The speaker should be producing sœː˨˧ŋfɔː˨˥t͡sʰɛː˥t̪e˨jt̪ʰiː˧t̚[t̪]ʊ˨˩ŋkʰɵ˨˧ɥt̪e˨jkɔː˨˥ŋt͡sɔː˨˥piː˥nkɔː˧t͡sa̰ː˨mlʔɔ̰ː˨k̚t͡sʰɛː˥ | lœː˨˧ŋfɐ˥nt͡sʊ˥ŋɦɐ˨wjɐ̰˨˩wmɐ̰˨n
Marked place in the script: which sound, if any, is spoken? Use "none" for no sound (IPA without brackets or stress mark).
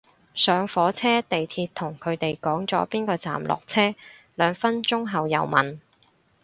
t̪ʰ